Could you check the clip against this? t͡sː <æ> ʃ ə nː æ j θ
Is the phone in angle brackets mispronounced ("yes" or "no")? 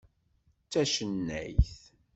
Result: no